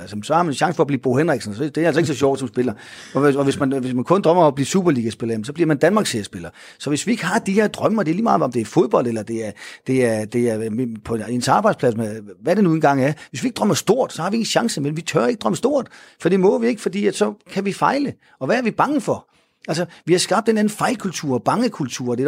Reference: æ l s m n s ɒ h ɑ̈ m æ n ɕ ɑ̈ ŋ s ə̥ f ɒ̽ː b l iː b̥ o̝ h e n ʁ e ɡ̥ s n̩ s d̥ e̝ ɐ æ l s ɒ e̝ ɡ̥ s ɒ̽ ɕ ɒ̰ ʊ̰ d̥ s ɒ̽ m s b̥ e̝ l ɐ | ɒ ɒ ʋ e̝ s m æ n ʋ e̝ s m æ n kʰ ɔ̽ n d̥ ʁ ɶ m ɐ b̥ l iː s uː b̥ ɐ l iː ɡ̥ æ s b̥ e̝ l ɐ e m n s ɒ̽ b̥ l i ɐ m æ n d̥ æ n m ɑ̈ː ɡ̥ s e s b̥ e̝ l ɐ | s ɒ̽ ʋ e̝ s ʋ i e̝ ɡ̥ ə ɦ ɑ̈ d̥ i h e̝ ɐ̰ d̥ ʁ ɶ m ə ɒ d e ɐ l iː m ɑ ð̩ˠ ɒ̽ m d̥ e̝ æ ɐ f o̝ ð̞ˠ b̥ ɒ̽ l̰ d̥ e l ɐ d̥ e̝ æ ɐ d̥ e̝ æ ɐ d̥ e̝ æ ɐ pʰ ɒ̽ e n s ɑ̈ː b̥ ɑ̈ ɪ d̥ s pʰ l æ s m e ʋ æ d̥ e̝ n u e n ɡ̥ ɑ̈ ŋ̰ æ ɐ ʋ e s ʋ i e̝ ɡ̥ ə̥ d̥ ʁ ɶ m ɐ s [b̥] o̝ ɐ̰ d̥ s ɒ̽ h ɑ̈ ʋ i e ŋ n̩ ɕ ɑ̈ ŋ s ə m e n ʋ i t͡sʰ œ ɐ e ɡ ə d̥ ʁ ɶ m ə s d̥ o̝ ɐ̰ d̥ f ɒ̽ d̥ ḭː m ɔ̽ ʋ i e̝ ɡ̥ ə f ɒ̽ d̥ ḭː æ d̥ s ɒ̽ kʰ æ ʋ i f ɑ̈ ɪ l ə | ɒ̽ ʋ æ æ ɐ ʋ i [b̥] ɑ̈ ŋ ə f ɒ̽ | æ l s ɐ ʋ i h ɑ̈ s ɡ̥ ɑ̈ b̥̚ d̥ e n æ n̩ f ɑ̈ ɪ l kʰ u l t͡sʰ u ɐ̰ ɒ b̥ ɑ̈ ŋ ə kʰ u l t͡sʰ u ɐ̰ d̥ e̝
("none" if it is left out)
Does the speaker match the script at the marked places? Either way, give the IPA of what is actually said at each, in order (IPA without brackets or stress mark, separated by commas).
d̥, b̥